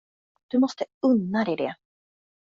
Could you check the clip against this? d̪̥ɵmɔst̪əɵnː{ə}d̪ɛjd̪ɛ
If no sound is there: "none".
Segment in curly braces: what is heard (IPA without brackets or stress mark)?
a